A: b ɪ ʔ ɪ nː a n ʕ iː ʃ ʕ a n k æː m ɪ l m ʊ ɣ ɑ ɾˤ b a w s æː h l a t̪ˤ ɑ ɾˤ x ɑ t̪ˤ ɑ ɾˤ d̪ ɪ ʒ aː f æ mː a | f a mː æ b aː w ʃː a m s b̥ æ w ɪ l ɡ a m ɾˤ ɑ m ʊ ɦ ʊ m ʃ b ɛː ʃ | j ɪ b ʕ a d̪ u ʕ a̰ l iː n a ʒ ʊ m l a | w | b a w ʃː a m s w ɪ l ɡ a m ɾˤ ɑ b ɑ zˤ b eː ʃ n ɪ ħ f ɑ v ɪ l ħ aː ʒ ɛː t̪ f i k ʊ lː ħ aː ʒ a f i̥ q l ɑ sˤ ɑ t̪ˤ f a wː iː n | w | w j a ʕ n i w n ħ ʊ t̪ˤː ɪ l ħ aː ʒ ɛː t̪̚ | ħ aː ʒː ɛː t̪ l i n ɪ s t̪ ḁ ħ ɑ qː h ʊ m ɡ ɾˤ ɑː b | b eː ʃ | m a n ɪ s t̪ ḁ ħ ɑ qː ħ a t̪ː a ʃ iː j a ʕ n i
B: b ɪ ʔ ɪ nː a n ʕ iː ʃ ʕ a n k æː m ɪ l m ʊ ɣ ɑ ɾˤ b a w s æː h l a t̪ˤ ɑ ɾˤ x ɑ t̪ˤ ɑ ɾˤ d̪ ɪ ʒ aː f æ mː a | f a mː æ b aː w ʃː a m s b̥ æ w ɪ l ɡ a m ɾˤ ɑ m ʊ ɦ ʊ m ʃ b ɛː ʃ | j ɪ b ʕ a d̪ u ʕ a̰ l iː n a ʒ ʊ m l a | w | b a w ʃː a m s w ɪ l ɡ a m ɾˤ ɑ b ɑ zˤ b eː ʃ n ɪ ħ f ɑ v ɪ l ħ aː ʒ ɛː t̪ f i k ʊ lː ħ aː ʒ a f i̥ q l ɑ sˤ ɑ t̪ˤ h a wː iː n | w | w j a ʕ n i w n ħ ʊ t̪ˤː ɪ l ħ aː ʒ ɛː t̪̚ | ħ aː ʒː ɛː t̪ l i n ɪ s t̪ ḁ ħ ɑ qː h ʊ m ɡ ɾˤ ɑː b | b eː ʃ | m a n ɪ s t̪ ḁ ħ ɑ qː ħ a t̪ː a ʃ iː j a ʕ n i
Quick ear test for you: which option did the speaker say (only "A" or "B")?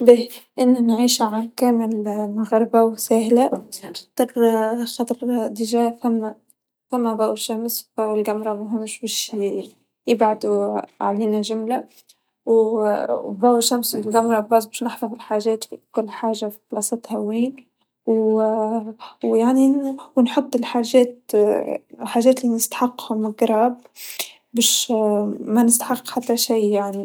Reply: B